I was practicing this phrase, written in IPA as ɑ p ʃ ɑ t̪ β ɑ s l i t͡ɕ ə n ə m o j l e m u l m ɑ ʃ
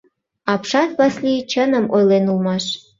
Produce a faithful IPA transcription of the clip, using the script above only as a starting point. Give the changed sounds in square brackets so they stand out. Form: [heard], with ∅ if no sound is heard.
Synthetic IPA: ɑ p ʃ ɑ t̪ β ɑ s l i t͡ɕ ə n ə m o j l e [n] u l m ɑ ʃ